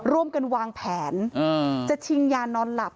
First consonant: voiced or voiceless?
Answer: voiced